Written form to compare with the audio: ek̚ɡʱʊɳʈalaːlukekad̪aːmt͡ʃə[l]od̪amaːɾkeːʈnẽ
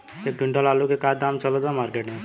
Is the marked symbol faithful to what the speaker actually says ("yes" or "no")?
yes